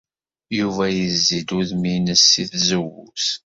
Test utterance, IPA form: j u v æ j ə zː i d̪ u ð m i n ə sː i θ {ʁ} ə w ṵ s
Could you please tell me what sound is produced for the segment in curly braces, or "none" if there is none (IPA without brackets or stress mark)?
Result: z